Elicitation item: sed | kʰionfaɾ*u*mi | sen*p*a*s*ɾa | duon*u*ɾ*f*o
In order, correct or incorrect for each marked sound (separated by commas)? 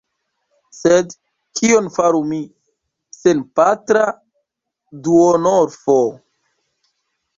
correct, correct, incorrect, incorrect, correct